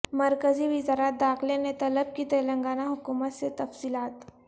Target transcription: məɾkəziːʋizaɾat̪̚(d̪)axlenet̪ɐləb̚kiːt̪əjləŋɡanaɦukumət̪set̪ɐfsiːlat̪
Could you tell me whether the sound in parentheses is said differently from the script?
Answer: no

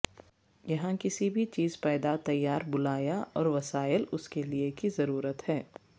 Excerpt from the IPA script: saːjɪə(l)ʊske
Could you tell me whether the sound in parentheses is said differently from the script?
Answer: no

